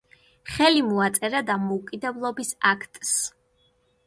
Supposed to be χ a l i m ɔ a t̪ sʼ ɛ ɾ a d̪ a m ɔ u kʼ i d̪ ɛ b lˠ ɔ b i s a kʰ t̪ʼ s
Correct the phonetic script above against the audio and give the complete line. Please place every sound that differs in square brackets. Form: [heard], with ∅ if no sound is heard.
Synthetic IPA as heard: χ [ɛ] l i m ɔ a t̪ sʼ ɛ ɾ a d̪ a m ɔ u kʼ i d̪ ɛ b lˠ ɔ b i s a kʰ t̪ʼ s